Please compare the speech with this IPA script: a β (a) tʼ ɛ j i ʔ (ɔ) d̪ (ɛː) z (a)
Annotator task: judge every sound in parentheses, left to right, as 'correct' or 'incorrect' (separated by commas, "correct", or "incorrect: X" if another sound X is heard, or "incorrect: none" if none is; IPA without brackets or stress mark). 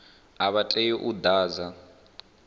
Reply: correct, incorrect: u, incorrect: aː, correct